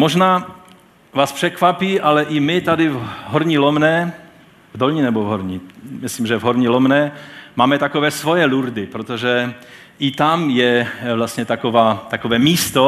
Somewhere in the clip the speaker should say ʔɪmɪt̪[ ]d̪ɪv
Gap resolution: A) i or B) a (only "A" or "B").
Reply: B